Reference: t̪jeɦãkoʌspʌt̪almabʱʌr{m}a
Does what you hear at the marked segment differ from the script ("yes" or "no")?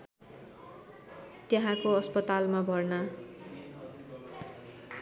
yes